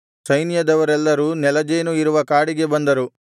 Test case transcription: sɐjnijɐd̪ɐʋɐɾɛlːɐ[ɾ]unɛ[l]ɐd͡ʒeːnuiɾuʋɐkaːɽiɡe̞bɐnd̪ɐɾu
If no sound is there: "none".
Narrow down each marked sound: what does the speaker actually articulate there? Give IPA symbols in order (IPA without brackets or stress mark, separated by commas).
ɾ, l